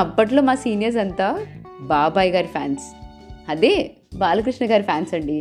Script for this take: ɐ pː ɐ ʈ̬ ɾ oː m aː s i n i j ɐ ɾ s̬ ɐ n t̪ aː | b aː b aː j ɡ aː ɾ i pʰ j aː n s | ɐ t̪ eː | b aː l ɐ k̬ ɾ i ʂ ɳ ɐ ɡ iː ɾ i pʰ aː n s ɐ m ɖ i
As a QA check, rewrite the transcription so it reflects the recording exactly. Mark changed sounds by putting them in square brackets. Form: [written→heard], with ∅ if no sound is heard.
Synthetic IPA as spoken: ɐ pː ɐ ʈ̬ [ɾ→l] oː m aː s [i→iː] n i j ɐ ɾ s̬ ɐ n t̪ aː | b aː b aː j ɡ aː ɾ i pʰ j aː n s | ɐ [t̪→d̪] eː | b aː l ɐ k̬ ɾ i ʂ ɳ ɐ ɡ [iː→aː] ɾ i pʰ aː n s ɐ [m→ɳ] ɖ i